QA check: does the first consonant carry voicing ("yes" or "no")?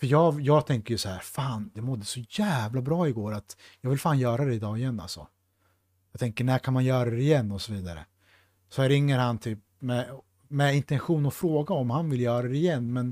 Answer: no